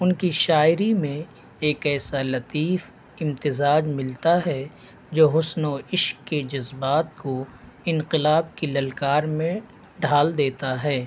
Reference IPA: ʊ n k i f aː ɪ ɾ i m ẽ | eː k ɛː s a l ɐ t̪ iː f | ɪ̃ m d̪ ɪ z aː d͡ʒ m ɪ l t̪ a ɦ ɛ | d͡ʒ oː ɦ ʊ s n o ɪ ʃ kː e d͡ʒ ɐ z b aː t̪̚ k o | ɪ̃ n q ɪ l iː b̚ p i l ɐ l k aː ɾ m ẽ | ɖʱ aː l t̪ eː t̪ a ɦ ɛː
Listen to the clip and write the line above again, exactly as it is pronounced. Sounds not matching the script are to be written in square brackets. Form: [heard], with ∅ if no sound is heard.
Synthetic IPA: ʊ n k i [ʃ] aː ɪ ɾ i m ẽ | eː k ɛː s a l ɐ t̪ iː f | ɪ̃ m [t̪] ɪ z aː d͡ʒ m ɪ l t̪ a ɦ ɛ | d͡ʒ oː ɦ ʊ s n o ɪ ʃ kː e d͡ʒ ɐ z b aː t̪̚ k o | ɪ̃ n q ɪ l [aː] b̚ [k] i l ɐ l k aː ɾ m ẽ | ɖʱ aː l [d̪] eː t̪ a ɦ ɛː

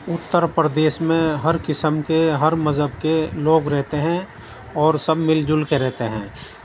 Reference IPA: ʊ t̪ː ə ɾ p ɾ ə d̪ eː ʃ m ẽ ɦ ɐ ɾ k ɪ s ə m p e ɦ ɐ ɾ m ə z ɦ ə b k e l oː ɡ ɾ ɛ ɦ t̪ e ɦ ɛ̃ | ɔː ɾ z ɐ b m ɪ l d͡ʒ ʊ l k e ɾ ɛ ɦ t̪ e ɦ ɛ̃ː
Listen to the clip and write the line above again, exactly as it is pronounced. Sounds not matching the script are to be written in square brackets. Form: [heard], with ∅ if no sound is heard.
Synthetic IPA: ʊ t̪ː ə ɾ p ɾ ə d̪ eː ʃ m ẽ ɦ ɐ ɾ k ɪ s ə m [k] e ɦ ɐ ɾ m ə z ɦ ə b k e l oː ɡ ɾ ɛ ɦ t̪ e ɦ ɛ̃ | ɔː ɾ [s] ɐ b m ɪ l d͡ʒ ʊ l k e ɾ ɛ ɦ t̪ e ɦ ɛ̃ː

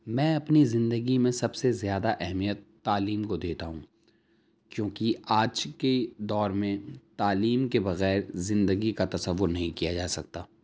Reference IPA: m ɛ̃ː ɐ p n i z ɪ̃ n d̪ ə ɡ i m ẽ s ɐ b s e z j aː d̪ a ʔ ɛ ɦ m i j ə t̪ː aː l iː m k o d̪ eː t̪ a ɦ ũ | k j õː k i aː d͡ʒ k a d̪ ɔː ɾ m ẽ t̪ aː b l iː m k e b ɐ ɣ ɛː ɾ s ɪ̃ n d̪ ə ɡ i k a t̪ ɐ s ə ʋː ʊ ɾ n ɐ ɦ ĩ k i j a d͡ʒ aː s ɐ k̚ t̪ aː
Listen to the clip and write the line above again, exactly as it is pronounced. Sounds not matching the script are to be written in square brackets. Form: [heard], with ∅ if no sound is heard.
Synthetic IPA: m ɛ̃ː ɐ p n i z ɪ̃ n d̪ ə ɡ i m ẽ s ɐ b s e z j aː d̪ a ʔ ɛ ɦ m i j ə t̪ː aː l iː m k o d̪ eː t̪ a ɦ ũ | k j õː k i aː d͡ʒ k [e] d̪ ɔː ɾ m ẽ t̪ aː [∅] l iː m k e b ɐ ɣ ɛː ɾ [z] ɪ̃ n d̪ ə ɡ i k a t̪ ɐ s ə ʋː ʊ ɾ n ɐ ɦ ĩ k i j a d͡ʒ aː s ɐ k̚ t̪ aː

